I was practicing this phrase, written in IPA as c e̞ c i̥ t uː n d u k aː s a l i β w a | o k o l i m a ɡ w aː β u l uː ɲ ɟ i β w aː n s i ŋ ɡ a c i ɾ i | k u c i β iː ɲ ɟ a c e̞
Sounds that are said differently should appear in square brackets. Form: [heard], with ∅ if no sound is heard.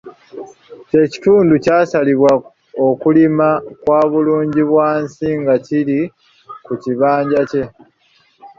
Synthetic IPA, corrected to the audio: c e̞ c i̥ t uː n d u [c] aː s a l i β w a | o k [u] l i m a [k] w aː β u l uː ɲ ɟ i β w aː n s i ŋ ɡ a c i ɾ i | k u c i β [aː] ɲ ɟ a c e̞